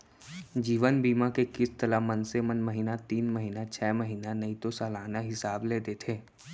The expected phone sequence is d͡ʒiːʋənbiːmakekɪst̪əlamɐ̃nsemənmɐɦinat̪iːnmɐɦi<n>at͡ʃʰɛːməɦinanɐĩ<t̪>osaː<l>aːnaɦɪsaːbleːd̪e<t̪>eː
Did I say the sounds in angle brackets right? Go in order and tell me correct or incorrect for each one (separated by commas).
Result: correct, correct, correct, incorrect